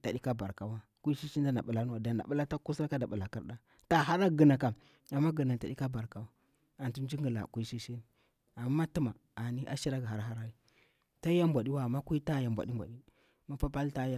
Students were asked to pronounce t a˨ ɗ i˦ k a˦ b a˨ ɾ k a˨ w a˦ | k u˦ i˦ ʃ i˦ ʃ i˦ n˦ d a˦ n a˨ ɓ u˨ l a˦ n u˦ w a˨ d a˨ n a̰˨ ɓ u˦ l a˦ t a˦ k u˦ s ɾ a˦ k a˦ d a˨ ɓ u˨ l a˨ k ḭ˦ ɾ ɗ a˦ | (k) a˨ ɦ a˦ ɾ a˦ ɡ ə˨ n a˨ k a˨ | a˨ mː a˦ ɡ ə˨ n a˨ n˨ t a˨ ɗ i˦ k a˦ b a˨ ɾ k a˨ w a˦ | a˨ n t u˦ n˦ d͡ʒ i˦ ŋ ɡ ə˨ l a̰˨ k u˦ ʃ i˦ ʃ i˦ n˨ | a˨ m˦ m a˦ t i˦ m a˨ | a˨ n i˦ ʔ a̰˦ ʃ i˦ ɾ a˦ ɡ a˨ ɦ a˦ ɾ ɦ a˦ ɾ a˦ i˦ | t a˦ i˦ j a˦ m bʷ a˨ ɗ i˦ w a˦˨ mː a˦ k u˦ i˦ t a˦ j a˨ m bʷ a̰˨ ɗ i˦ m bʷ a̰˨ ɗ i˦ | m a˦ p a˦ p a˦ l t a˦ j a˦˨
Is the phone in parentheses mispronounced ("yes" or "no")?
yes